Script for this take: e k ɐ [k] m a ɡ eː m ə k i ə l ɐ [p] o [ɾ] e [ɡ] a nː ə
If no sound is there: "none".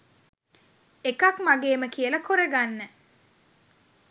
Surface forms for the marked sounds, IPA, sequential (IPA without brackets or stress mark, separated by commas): k, k, ɾ, ɡ